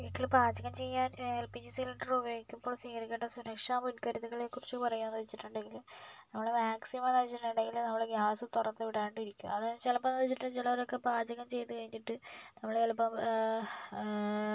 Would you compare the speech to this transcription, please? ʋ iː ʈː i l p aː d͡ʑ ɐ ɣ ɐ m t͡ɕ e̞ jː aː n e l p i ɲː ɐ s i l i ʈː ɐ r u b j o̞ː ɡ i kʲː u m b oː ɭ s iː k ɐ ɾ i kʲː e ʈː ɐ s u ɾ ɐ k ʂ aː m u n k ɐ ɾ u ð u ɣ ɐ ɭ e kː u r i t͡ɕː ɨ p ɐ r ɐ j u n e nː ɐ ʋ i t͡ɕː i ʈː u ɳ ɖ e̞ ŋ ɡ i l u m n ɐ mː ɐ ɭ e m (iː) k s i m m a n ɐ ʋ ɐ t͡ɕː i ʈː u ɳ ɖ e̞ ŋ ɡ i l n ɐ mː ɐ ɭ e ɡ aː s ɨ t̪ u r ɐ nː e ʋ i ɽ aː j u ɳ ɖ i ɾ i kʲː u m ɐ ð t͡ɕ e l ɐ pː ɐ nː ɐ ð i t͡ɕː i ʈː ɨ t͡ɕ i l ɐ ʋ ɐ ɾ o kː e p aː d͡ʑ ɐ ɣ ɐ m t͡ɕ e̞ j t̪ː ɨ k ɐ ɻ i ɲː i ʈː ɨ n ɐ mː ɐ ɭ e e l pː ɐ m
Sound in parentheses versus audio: incorrect: aː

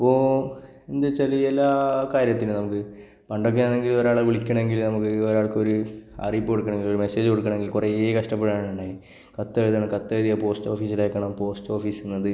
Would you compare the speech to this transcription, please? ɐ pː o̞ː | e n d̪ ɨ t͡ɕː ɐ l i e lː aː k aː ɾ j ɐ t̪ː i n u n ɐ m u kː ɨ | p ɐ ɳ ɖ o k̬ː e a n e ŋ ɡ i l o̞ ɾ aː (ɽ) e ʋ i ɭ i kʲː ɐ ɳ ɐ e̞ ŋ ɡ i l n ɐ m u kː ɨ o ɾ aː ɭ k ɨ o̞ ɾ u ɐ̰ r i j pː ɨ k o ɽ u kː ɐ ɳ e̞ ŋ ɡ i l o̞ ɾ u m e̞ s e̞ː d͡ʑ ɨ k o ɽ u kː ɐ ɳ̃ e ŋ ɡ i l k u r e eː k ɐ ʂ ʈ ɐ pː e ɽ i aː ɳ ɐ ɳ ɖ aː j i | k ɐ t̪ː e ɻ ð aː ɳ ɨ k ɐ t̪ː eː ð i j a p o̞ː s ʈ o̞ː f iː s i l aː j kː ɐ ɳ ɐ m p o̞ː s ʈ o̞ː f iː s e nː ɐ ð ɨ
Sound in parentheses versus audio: incorrect: ɭ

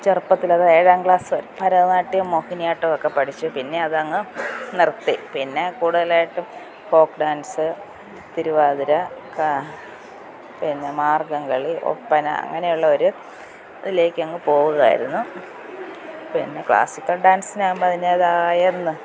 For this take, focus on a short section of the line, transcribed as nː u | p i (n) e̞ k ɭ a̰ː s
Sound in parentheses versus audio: incorrect: nː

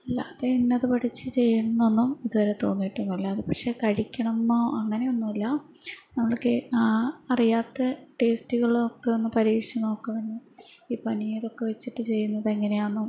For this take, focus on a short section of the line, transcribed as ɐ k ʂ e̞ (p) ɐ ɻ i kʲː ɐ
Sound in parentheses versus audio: incorrect: k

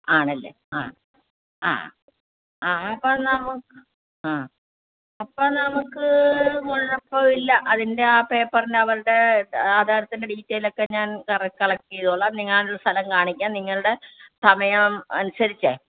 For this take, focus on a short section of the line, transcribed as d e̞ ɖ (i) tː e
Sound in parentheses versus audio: incorrect: iː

